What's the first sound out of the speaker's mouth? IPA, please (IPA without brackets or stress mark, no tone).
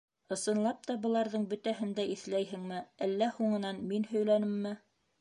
ɤ̆